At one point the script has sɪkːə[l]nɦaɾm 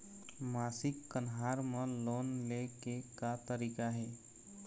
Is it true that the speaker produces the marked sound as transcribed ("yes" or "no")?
no